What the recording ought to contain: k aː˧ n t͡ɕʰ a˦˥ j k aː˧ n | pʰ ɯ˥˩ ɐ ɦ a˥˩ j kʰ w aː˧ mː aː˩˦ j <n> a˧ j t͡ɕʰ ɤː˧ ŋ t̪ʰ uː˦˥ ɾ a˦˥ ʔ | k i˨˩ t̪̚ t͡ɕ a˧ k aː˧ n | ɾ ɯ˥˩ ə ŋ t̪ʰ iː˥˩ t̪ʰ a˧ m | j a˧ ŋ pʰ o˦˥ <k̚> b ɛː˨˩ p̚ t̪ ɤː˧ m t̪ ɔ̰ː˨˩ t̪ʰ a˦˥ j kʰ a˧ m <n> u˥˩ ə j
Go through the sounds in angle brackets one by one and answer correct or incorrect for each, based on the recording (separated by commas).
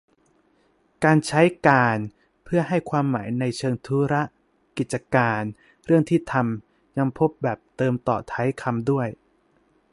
correct, incorrect, incorrect